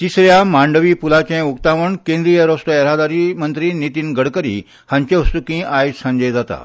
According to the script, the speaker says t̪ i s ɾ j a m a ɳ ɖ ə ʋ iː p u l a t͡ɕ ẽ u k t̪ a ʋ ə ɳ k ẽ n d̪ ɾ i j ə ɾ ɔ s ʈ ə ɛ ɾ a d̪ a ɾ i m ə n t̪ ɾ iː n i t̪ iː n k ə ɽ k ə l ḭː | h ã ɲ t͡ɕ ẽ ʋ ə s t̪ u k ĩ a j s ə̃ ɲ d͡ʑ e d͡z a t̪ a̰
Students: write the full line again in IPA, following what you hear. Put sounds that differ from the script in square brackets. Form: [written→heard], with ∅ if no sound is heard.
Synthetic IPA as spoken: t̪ i s ɾ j a m a ɳ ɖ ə ʋ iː p u l a t͡ɕ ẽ u k t̪ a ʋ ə ɳ k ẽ n d̪ ɾ i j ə ɾ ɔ s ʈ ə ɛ ɾ a d̪ a ɾ i m ə n t̪ ɾ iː n i t̪ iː n [k→ɡ] ə ɽ k ə [l→ɾ] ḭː | h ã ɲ t͡ɕ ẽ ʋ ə s t̪ u k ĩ a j s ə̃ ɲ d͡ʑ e d͡z a t̪ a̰